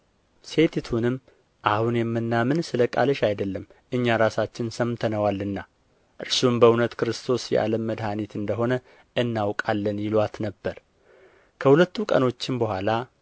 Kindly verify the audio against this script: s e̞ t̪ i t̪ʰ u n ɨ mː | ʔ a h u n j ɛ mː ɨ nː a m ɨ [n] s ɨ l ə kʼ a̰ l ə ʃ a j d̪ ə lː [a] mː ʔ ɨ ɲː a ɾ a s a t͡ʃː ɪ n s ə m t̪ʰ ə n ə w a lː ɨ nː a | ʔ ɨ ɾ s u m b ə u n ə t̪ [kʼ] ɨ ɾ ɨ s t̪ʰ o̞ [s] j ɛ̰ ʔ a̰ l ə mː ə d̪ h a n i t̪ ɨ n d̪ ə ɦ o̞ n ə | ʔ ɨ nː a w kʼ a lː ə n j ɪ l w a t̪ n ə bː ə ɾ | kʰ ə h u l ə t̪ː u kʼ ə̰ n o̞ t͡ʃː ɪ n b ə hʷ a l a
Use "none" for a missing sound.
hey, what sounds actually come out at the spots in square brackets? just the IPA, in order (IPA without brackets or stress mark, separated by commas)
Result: n, ə, k, s